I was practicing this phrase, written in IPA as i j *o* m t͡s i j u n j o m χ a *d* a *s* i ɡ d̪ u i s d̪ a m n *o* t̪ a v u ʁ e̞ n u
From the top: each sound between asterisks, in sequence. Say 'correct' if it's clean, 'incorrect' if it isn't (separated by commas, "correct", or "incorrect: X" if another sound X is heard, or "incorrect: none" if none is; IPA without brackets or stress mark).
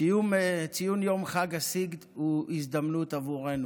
incorrect: u, incorrect: ɡ, correct, incorrect: u